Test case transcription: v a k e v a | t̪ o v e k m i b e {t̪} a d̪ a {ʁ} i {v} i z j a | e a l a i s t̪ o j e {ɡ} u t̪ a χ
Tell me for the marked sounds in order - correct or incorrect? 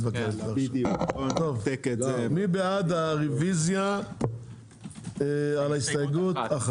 incorrect: none, correct, correct, correct

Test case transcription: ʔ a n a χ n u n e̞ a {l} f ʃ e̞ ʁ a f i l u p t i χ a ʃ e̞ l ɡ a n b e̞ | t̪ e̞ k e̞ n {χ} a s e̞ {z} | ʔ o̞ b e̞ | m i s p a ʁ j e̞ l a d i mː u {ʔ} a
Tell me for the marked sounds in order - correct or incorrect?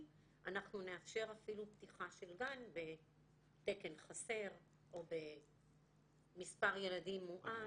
incorrect: none, correct, incorrect: ʁ, correct

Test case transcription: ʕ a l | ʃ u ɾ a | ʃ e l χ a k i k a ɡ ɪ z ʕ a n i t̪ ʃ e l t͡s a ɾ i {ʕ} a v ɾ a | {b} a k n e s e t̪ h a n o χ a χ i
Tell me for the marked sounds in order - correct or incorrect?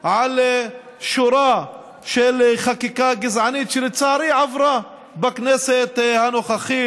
correct, correct

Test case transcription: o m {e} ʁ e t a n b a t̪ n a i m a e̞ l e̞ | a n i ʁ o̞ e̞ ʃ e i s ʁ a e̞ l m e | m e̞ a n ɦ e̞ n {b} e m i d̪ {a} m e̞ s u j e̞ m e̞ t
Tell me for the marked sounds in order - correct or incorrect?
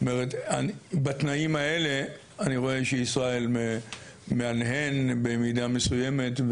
correct, correct, correct

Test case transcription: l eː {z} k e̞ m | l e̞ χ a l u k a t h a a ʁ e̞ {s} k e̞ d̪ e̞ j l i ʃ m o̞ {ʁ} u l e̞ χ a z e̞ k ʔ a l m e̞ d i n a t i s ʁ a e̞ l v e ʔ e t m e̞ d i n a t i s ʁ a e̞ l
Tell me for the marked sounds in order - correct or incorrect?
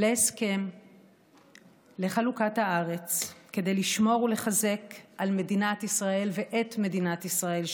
incorrect: s, incorrect: t͡s, correct

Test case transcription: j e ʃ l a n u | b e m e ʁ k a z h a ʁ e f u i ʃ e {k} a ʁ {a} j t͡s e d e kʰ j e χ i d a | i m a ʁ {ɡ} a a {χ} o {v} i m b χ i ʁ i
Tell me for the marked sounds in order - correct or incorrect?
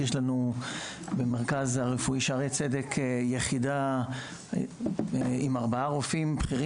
incorrect: none, incorrect: e, incorrect: b, incorrect: ʁ, incorrect: f

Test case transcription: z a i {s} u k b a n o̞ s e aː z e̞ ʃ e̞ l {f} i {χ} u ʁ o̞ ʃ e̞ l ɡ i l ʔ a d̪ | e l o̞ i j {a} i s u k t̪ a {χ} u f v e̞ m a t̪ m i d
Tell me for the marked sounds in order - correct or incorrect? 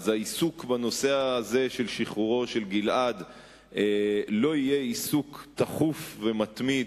correct, incorrect: ʃ, correct, incorrect: e, correct

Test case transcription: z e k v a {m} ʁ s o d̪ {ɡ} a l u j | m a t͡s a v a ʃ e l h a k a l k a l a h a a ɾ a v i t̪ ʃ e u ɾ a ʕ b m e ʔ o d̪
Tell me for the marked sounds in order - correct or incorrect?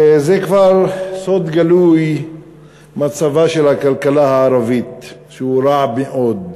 incorrect: none, correct

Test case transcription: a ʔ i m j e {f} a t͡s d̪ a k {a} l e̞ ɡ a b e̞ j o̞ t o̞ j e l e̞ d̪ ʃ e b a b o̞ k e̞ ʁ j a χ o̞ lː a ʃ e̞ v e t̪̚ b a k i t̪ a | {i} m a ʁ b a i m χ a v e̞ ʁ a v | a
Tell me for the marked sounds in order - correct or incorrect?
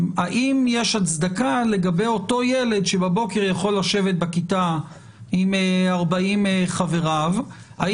incorrect: ʃ, correct, correct

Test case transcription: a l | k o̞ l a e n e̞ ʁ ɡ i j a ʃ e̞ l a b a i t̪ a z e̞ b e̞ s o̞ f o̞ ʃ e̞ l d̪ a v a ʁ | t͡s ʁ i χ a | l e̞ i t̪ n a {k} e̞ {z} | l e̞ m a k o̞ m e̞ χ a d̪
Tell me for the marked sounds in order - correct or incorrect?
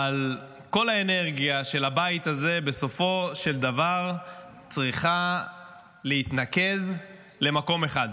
correct, correct

